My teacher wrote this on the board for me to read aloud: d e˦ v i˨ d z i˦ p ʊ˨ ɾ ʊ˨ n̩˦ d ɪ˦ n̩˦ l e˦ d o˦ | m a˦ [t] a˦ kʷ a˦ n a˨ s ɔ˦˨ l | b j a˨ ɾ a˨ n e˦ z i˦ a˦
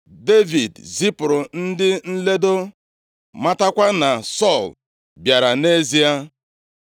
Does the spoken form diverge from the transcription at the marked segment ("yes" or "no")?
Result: no